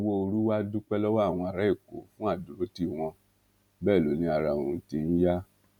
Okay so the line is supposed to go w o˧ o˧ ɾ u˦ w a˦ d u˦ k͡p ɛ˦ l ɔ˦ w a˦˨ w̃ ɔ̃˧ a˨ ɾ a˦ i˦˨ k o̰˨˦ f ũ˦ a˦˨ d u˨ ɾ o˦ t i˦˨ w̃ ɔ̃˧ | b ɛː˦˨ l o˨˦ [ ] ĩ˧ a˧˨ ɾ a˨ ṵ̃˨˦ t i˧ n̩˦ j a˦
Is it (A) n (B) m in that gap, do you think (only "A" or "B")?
A